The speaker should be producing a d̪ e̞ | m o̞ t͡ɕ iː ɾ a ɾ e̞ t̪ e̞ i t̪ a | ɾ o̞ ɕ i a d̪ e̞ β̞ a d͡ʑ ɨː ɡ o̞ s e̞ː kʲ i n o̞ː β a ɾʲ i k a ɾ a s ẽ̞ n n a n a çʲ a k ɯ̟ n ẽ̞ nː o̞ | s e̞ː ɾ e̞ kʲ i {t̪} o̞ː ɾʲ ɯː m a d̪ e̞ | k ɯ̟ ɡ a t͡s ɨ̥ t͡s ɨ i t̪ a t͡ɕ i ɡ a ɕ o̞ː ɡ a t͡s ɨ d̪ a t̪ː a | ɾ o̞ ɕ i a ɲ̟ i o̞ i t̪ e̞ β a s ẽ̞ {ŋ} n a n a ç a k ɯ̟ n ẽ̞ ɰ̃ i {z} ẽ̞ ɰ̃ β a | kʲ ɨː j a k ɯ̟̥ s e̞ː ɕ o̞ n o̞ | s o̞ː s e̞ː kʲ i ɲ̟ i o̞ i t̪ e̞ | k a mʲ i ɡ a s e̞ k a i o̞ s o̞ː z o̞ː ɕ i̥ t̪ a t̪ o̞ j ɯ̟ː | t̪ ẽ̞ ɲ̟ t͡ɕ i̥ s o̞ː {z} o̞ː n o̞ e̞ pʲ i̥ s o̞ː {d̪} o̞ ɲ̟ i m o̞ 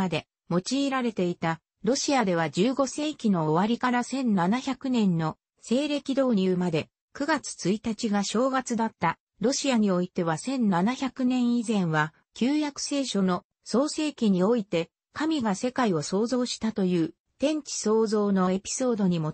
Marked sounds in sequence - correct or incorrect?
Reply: incorrect, incorrect, correct, correct, correct

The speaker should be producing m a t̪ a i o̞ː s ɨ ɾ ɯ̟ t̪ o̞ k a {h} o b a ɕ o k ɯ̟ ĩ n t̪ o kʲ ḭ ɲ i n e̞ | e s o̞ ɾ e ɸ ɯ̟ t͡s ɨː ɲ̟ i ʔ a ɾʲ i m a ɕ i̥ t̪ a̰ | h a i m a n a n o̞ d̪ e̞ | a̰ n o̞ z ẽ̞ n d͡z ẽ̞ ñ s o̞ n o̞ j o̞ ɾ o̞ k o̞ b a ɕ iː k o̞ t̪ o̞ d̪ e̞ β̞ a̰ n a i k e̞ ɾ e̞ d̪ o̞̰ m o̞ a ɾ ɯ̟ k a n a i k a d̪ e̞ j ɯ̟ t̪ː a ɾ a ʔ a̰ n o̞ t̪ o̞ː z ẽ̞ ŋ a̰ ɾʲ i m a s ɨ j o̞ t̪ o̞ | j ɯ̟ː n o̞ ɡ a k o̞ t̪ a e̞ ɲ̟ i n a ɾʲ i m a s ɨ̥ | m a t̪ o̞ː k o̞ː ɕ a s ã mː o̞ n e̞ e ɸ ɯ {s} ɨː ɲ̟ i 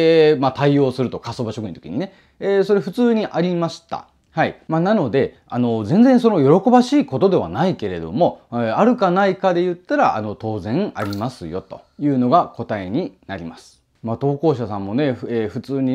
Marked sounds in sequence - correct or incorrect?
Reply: incorrect, incorrect

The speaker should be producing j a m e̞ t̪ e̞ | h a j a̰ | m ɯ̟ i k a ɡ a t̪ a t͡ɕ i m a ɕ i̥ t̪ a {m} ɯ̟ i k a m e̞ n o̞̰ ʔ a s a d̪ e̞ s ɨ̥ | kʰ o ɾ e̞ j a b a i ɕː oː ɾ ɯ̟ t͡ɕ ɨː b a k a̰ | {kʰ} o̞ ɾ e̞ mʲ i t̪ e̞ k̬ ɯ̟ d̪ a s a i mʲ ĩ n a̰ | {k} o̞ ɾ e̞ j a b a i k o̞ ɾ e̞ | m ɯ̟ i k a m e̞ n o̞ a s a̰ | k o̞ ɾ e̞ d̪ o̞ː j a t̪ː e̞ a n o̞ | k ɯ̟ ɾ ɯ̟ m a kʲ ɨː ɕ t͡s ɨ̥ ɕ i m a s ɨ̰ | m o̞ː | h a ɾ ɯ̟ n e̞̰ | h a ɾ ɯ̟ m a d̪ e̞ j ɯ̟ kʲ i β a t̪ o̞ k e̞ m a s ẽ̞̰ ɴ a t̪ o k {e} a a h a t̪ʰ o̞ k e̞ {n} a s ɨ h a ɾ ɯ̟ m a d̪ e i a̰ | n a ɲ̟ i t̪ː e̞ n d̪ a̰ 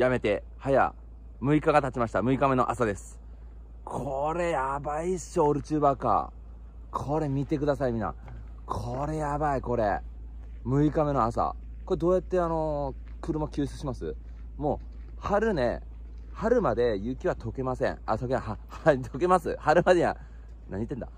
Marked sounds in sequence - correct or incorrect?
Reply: correct, correct, incorrect, correct, incorrect

